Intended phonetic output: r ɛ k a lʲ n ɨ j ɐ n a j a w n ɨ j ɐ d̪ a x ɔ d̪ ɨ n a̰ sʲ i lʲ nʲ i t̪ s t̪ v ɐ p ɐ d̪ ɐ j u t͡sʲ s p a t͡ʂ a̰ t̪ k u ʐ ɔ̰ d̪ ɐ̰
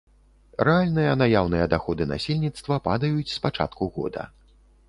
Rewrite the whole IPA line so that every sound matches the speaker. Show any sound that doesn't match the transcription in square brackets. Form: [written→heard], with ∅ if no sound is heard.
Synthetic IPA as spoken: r ɛ [k→∅] a lʲ n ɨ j ɐ n a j a w n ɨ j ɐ d̪ a x ɔ d̪ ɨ n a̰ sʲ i lʲ nʲ i t̪ s t̪ v ɐ p [ɐ→a] d̪ ɐ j u t͡sʲ s p a t͡ʂ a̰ t̪ k u [ʐ→ɣ] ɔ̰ d̪ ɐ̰